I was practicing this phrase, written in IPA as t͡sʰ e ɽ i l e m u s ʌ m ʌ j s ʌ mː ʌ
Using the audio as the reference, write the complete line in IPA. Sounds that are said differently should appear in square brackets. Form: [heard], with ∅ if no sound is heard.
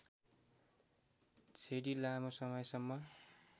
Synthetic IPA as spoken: t͡sʰ e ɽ i l [a] m [o] s ʌ m ʌ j s ʌ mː ʌ

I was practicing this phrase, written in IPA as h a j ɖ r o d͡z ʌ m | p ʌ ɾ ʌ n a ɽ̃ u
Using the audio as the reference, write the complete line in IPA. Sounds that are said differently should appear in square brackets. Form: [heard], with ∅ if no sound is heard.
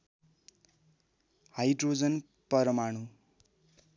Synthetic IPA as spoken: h a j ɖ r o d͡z ʌ [n] | p ʌ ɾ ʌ [m] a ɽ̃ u

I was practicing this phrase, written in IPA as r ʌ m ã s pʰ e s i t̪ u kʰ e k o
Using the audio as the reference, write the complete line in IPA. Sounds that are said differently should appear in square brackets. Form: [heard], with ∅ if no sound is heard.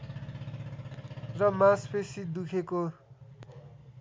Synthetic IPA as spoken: r ʌ m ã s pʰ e s i [d̪] u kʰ e k o

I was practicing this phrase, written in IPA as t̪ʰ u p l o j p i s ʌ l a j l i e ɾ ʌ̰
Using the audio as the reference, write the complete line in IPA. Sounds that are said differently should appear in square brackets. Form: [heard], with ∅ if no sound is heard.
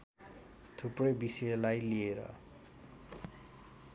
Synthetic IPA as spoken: t̪ʰ u p [r] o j [b] i s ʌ l a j l i e ɾ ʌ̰

